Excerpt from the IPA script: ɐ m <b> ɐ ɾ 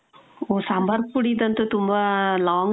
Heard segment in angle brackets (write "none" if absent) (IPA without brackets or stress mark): b